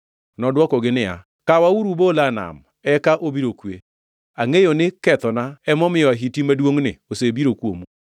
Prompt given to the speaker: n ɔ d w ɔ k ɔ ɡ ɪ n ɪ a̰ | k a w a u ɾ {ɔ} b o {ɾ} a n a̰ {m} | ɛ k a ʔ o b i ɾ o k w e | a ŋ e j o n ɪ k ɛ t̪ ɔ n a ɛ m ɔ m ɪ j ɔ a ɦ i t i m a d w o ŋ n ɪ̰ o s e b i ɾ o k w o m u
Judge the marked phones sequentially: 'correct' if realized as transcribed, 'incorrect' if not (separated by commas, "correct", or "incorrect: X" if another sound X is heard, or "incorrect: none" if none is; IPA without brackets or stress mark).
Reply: incorrect: u, incorrect: l, correct